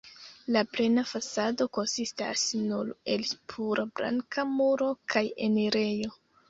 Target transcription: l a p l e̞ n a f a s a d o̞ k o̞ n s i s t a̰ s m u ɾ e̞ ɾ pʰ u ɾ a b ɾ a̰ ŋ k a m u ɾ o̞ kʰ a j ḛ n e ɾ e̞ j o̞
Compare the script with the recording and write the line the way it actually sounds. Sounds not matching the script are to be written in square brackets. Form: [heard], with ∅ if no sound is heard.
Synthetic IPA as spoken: l a p l e̞ n a f a s a d o̞ k o̞ n s i s t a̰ s [n] u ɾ e̞ [l] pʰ u ɾ a b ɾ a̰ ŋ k a m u ɾ o̞ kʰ a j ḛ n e ɾ e̞ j o̞